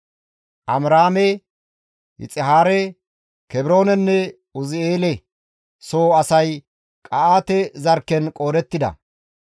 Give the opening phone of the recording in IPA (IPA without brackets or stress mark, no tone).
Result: ʔ